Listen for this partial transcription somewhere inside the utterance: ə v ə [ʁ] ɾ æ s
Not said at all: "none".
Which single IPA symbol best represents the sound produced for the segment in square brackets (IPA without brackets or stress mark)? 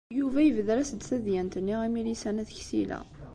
ð